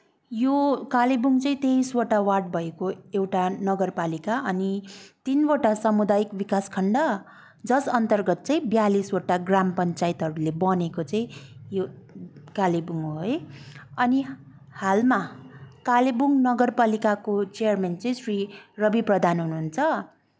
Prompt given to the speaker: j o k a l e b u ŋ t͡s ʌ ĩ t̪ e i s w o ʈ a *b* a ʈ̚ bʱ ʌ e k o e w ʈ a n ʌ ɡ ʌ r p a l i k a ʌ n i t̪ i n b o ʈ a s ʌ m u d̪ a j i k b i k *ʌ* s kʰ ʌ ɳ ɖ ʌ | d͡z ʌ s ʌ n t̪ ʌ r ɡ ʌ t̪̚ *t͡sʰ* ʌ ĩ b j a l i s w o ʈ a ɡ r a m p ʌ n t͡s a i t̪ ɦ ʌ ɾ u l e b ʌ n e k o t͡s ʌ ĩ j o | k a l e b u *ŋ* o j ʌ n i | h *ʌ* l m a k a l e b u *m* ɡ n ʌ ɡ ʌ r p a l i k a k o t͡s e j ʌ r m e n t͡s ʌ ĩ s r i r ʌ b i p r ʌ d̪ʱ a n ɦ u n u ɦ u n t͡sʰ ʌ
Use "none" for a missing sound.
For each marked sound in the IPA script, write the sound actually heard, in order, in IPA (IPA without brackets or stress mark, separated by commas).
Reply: w, a, t͡s, ŋ, a, ŋ